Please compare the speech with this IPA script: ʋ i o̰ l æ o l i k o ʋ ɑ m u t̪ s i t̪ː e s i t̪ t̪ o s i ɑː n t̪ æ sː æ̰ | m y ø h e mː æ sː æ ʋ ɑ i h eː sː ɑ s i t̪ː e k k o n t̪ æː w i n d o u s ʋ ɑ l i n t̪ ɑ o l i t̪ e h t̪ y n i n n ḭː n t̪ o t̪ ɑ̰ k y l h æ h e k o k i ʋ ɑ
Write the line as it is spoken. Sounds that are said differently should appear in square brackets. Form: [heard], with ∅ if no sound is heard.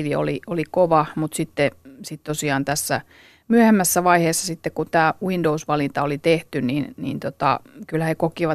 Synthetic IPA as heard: ʋ i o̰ l [i] o l i k o ʋ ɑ m u t̪ s i t̪ː e s i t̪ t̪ o s i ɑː n t̪ æ sː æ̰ | m y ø h e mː æ sː æ ʋ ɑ i h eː sː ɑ s i t̪ː e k k [u] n t̪ æː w i n d o u s ʋ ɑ l i n t̪ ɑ o l i t̪ e h t̪ y n i n n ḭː n t̪ o t̪ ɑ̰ k y l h æ h e k o k i ʋ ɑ